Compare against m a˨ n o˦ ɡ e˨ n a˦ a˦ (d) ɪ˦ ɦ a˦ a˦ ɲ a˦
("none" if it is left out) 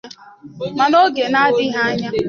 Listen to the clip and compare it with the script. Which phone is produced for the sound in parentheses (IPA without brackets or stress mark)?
d